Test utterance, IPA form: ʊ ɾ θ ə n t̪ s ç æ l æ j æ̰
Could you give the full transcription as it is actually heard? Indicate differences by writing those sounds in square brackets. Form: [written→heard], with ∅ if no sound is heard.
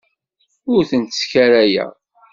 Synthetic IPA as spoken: ʊ ɾ θ ə n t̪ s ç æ [l→ɾ] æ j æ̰